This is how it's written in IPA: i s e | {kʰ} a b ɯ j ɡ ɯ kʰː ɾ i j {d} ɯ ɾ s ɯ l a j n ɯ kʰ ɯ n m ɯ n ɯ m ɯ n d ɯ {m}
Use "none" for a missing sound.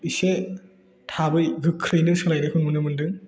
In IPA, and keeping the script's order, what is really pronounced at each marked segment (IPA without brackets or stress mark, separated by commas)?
tʰ, n, ŋ